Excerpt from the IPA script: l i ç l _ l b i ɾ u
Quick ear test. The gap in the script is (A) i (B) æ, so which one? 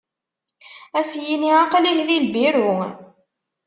A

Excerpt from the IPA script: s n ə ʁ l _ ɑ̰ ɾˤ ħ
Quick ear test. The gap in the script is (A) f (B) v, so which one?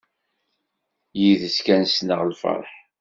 A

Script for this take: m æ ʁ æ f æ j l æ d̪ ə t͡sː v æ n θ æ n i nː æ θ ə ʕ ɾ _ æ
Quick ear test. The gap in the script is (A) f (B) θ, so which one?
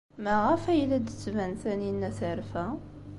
A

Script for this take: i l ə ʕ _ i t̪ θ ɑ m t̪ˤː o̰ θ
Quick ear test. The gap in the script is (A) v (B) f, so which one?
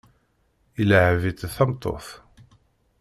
A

